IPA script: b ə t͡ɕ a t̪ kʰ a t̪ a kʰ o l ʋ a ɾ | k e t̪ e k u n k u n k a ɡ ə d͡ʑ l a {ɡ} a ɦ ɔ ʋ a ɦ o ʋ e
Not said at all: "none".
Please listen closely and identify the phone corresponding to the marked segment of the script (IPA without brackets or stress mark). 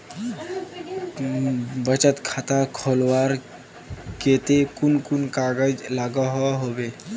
ɡ